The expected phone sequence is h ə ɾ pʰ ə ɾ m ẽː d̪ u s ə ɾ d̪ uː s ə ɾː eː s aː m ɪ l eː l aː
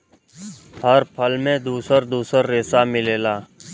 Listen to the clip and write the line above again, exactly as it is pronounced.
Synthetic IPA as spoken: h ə ɾ pʰ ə l m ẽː d̪ uː s ə ɾ d̪ uː s ə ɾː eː s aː m ɪ l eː l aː